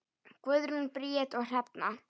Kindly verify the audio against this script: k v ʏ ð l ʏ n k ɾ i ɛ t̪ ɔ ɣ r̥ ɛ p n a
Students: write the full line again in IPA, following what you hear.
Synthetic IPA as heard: k v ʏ ð ɾ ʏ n p ɾ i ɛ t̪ ɔ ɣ r̥ ɛ p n a

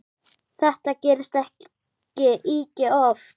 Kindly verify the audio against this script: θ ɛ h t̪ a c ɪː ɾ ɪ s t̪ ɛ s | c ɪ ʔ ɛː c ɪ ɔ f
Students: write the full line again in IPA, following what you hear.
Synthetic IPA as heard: θ ɛ h t̪ a c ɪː ɾ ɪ s t̪ ɛ h | c ɪ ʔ iː c ɪ ɔ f

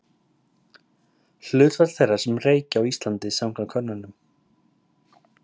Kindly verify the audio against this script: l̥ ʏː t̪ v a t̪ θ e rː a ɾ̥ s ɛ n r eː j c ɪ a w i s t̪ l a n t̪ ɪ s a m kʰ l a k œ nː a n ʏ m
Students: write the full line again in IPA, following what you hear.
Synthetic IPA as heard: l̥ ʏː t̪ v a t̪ θ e rː a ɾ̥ s ɛ m r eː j c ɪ a w i s t̪ l a n t̪ ɪ s a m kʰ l a kʰ œ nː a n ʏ m

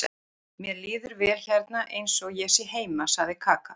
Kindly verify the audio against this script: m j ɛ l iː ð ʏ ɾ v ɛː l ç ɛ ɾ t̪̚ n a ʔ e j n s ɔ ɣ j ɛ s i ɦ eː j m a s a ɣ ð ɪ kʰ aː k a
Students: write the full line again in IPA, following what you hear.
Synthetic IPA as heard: m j ɛ l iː ð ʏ ɾ v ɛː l ç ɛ ɾ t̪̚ n a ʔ e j n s ɔ ɣ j ɛ s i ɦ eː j m a s a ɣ ð ɪ kʰ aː k a

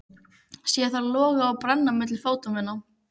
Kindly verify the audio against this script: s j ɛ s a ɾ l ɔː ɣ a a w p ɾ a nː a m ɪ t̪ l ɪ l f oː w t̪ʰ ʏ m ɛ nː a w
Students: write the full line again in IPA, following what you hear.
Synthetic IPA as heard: s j ɛ θ a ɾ l ɔː ɣ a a w p ɾ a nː a m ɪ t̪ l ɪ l f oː w t̪ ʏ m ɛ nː a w

